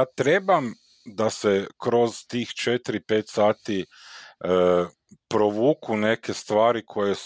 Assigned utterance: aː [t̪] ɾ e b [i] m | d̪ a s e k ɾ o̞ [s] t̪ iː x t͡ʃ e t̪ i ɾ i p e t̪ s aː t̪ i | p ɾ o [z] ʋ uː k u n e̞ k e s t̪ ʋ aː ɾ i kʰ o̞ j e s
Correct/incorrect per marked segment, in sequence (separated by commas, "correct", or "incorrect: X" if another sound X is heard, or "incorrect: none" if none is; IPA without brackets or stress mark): correct, incorrect: a, incorrect: z, incorrect: none